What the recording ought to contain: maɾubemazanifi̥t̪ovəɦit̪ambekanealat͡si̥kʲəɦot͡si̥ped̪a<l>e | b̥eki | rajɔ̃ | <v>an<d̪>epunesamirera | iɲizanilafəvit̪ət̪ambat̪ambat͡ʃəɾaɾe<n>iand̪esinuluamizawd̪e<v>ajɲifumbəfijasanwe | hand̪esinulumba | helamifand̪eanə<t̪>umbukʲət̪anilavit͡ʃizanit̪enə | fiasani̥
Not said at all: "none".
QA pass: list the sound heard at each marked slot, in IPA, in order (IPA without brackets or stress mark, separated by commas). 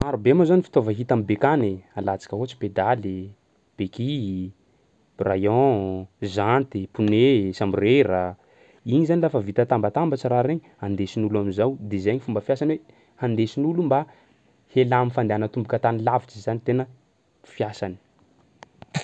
l, z, t̪, ɲ, z, t̪